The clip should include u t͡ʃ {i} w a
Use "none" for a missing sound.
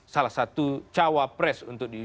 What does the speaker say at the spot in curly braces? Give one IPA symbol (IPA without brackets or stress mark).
a